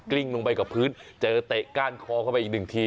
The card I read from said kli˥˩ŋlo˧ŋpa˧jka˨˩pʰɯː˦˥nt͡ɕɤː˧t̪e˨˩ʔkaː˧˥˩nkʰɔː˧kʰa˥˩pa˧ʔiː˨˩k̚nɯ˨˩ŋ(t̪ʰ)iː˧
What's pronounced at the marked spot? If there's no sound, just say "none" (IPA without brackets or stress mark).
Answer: t̪ʰ